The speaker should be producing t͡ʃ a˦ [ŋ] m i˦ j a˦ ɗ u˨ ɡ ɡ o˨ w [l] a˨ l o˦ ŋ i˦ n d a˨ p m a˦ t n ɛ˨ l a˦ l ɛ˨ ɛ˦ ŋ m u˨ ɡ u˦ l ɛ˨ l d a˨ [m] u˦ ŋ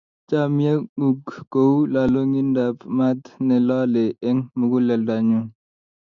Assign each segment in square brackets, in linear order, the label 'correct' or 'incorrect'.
incorrect, correct, incorrect

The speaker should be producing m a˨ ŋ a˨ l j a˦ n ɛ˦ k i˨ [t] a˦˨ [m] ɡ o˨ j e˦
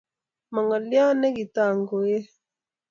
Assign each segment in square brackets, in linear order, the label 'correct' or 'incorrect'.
correct, incorrect

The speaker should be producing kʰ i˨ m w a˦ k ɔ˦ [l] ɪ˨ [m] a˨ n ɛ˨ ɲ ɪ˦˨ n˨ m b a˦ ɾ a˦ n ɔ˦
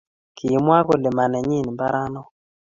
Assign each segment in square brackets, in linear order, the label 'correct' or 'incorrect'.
correct, correct

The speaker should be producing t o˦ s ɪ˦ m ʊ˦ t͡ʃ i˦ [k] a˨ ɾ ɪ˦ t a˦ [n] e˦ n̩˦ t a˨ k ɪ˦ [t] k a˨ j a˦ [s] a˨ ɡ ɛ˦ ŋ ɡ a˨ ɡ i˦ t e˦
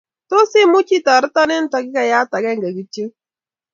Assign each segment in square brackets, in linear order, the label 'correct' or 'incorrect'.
incorrect, correct, incorrect, incorrect

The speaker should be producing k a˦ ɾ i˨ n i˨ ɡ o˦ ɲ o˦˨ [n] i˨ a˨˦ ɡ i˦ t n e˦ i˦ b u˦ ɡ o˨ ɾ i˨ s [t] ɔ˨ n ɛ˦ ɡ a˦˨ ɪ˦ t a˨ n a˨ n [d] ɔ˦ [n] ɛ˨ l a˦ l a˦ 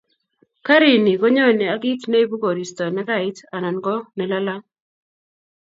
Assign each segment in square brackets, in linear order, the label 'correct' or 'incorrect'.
correct, correct, incorrect, correct

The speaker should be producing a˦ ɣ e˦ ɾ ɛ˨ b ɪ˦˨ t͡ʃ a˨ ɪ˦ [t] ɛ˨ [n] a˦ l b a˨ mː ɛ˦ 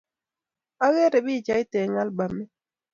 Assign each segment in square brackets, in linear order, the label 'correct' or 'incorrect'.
correct, incorrect

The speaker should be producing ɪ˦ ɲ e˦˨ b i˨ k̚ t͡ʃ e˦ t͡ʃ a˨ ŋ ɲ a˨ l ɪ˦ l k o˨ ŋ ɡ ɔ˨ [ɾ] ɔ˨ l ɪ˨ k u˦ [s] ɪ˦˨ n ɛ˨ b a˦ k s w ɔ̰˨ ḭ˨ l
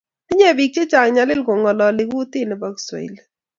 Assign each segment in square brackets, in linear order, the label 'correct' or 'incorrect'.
incorrect, incorrect

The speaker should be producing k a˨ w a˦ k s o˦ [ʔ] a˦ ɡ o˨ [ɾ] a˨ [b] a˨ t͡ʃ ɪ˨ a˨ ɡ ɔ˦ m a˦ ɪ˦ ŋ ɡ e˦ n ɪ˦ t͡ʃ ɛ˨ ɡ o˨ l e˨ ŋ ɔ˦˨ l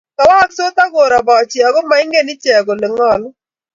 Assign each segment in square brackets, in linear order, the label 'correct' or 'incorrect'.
incorrect, correct, correct

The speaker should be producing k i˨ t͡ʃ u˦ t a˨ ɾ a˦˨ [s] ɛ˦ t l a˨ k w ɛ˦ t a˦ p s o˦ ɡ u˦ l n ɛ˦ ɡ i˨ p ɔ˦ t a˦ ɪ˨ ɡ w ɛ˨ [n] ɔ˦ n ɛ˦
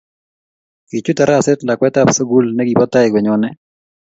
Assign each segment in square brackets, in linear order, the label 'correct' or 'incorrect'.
correct, incorrect

